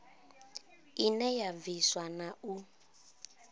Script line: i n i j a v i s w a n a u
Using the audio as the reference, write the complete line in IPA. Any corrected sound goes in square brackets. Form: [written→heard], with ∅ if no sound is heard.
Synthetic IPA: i n [i→ɛ] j a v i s w a n a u

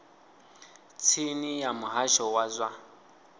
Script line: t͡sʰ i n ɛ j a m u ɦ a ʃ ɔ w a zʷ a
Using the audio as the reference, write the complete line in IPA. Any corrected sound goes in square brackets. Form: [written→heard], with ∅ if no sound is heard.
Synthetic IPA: t͡sʰ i n [ɛ→i] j a m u ɦ a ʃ ɔ w a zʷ a

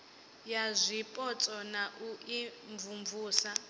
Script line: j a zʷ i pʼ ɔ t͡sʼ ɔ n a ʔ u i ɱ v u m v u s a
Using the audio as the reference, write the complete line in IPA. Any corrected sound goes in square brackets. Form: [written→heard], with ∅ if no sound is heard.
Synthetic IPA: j a zʷ i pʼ ɔ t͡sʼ ɔ n a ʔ u i ɱ v u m v [u→uː] s a

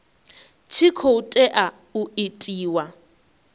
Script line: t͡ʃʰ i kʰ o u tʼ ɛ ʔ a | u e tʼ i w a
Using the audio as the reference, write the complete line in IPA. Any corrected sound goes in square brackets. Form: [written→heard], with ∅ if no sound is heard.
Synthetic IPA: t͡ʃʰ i kʰ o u tʼ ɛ ʔ a | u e tʼ [i→iː] w a

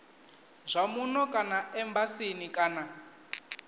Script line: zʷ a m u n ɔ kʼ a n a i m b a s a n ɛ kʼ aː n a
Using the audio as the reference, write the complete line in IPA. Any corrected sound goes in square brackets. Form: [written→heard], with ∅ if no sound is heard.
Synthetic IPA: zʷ a m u n ɔ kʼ a n a [i→ɛ] m b a s [a→i] n [ɛ→i] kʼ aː n a

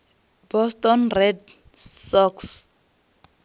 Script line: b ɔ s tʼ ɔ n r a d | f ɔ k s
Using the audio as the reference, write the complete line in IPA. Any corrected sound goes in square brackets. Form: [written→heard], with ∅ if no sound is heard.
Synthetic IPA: b ɔ s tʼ ɔ n r [a→ɛ] d | [f→s] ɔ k s

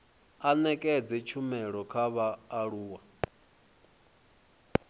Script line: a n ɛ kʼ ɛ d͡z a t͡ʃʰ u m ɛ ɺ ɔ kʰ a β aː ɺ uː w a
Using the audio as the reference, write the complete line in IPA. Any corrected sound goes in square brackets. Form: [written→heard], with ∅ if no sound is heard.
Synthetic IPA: a n ɛ kʼ ɛ d͡z [a→ɛ] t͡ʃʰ u m ɛ ɺ ɔ kʰ a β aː ɺ uː w a

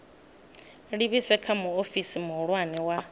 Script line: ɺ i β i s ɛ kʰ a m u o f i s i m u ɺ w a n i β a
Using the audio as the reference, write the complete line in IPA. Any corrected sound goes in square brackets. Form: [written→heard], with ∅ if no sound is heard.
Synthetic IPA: ɺ i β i s ɛ kʰ a m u o f i s i m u ɺ w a n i [β→w] a

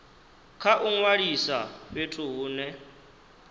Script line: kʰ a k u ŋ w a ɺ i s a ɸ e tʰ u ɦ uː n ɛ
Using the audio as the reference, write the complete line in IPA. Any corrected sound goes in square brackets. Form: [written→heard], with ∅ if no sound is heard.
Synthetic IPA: kʰ a [k→ʔ] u ŋ w a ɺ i s a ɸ e tʰ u ɦ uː n ɛ

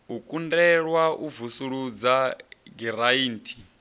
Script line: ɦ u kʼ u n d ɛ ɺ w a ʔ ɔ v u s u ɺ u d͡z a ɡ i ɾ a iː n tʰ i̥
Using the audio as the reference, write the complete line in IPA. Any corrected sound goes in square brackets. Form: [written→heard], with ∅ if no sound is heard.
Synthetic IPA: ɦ u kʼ u n d ɛ ɺ w a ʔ [ɔ→u] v u s u ɺ u d͡z a ɡ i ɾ a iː n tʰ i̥

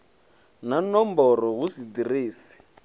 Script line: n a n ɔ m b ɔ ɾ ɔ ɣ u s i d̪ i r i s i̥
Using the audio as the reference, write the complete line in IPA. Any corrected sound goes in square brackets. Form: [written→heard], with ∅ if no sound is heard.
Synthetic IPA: n a n ɔ m b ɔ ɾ ɔ ɣ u s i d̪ i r [i→iː] s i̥

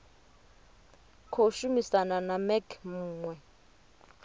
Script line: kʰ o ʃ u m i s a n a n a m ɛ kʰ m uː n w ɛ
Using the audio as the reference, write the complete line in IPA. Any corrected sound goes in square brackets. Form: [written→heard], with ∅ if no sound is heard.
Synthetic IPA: kʰ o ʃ u m i s a n a n a m ɛ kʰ m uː [n→ŋ] w ɛ

